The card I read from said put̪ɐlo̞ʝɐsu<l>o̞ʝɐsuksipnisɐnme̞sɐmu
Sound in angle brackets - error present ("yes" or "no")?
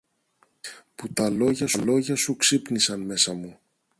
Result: no